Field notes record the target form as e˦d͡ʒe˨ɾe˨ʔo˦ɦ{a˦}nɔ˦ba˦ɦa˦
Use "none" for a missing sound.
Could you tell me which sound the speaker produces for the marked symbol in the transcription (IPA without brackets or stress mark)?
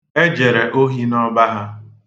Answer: i˦